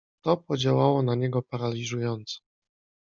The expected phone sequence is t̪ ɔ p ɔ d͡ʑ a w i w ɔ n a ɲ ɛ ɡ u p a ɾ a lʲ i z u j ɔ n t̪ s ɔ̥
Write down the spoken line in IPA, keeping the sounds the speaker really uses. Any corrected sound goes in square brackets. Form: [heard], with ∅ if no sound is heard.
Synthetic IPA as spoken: t̪ ɔ p ɔ d͡ʑ a w [a] w ɔ n a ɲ ɛ ɡ [ɔ] p a ɾ a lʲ i [ʐ] u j ɔ n t̪ s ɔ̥

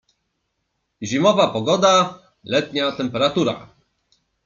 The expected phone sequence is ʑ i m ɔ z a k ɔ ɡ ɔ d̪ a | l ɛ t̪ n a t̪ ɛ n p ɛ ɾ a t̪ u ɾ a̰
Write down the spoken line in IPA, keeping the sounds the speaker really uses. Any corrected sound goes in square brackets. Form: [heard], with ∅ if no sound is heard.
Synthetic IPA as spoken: ʑ i m ɔ [v] a [p] ɔ ɡ ɔ d̪ a | l ɛ t̪ [ɲ] a t̪ ɛ [m] p ɛ ɾ a t̪ u ɾ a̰

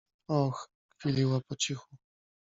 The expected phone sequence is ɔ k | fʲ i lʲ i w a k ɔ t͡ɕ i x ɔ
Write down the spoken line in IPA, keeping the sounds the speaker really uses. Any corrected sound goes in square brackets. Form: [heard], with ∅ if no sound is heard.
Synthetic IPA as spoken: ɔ [x] | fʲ i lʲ i w a [p] ɔ t͡ɕ i x [u]

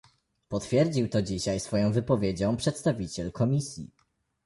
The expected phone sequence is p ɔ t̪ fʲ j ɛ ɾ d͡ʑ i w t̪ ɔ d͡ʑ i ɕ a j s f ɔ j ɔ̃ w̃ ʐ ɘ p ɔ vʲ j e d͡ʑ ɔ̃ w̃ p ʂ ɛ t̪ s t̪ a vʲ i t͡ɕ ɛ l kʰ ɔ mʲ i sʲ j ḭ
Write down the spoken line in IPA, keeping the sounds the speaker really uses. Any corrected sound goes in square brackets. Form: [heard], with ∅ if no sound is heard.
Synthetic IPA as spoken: p ɔ t̪ fʲ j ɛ ɾ d͡ʑ i w t̪ ɔ d͡ʑ i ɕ a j s f ɔ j ɔ̃ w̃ [v] ɘ p ɔ vʲ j e d͡ʑ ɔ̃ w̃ p ʂ ɛ t̪ s t̪ a vʲ i t͡ɕ ɛ l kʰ ɔ mʲ i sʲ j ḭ

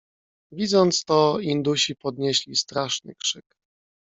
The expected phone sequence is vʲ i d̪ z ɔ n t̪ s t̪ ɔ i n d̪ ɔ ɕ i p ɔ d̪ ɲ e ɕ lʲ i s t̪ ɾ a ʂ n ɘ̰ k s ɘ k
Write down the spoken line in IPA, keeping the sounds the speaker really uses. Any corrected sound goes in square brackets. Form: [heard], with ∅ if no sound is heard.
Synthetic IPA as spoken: vʲ i d̪ z ɔ n t̪ s t̪ ɔ i n d̪ [u] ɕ i p ɔ d̪ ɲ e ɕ lʲ i s t̪ ɾ a ʂ n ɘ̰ k [ʂ] ɘ k

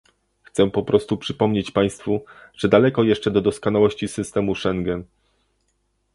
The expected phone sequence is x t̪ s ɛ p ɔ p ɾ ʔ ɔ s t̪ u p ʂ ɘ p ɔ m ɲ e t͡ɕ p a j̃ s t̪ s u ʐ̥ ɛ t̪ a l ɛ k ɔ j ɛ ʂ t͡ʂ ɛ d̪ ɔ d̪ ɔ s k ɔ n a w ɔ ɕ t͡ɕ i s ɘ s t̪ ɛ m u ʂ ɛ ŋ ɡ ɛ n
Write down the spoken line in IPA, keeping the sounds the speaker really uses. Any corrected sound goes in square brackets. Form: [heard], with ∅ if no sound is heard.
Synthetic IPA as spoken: x t̪ s ɛ p ɔ p ɾ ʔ ɔ s t̪ u p ʂ ɘ p ɔ m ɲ e t͡ɕ p a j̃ s t̪ [f] u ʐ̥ ɛ [d̪] a l ɛ k ɔ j ɛ ʂ t͡ʂ ɛ d̪ ɔ d̪ ɔ s k ɔ n a w ɔ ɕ t͡ɕ i s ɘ s t̪ ɛ m u ʂ ɛ ŋ ɡ ɛ n

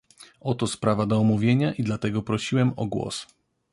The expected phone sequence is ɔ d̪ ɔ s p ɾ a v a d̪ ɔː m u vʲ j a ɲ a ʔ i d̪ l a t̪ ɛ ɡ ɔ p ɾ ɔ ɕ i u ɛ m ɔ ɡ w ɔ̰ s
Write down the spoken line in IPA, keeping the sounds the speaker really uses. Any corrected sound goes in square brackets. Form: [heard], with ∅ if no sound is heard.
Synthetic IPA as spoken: ɔ [t̪] ɔ s p ɾ a v a d̪ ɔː m u vʲ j [e] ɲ a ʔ i d̪ l a t̪ ɛ ɡ ɔ p ɾ ɔ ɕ i [w] ɛ m ɔ ɡ w ɔ̰ s

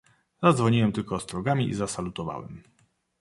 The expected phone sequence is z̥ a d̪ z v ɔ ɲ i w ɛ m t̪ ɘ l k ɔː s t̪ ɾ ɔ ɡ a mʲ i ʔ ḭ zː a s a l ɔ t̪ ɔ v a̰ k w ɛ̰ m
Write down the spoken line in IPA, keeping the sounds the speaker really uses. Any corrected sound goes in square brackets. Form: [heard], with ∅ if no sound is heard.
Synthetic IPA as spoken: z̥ a d̪ z v ɔ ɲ i w ɛ m t̪ ɘ l k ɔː s t̪ ɾ ɔ ɡ a mʲ i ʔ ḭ [z] a s a l [u] t̪ ɔ v a̰ [∅] w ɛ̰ m

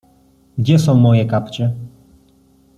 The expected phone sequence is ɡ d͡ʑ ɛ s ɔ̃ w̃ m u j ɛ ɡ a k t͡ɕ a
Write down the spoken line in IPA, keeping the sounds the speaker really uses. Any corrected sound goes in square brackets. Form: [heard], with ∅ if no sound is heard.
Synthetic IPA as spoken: ɡ d͡ʑ ɛ s ɔ̃ w̃ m [ɔ] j ɛ [k] a [p] t͡ɕ [ɛ]

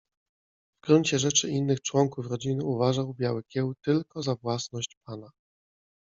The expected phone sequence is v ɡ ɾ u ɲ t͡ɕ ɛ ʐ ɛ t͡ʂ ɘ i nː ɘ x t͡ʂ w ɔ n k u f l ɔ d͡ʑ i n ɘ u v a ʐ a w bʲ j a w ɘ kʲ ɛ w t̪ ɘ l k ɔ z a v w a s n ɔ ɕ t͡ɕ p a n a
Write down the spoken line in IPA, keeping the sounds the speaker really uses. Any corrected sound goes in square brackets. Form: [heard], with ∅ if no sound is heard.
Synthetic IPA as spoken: v ɡ ɾ u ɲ t͡ɕ ɛ ʐ ɛ t͡ʂ ɘ i nː ɘ x t͡ʂ w ɔ [ŋ] k u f [ɾ] ɔ d͡ʑ i n ɘ u v a ʐ a w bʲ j a w ɘ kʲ ɛ w t̪ ɘ l k ɔ z a v w a s n ɔ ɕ t͡ɕ p a n a

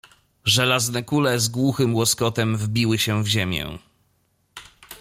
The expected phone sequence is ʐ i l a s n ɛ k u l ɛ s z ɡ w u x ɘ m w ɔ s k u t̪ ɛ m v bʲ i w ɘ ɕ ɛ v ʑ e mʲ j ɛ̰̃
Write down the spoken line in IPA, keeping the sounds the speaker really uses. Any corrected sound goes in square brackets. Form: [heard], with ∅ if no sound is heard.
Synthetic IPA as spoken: ʐ [ɛ] l a [z] n ɛ k u l ɛ [∅] z ɡ w u x ɘ m w ɔ s k [ɔ] t̪ ɛ m v bʲ i w ɘ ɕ ɛ v ʑ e mʲ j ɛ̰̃

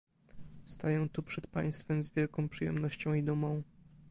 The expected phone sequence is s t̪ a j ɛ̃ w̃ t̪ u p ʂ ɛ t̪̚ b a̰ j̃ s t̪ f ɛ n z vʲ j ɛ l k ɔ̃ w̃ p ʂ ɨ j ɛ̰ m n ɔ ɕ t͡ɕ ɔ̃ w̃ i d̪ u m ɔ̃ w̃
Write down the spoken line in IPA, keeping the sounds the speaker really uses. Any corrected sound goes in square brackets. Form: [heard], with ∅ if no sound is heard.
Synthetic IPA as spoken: s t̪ a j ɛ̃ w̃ t̪ u p ʂ ɛ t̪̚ [p] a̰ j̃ s t̪ f ɛ [m] z vʲ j ɛ l k ɔ̃ w̃ p ʂ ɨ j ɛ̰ m n ɔ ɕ t͡ɕ ɔ̃ w̃ i d̪ u m ɔ̃ w̃

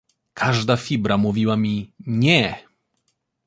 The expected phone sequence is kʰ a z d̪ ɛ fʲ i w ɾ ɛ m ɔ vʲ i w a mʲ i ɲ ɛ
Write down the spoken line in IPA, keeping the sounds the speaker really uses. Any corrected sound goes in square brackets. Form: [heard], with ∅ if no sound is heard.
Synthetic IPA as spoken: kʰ a [ʐ] d̪ [a] fʲ i [b] ɾ [a] m [u] vʲ i w a mʲ i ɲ ɛ

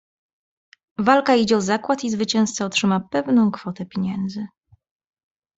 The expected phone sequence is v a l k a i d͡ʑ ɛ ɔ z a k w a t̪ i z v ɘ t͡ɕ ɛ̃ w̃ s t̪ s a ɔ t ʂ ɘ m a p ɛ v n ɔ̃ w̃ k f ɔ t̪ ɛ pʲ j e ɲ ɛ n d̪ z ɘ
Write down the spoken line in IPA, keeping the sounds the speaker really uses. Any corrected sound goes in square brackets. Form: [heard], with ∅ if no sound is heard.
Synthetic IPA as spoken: v a l k a i d͡ʑ ɛ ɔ z a k w a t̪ i z v ɘ t͡ɕ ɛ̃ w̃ s t̪ s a ɔ t ʂ ɘ m a p ɛ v n ɔ̃ w̃ k f ɔ t̪ ɛ pʲ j e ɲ ɛ n d̪ z ɘ

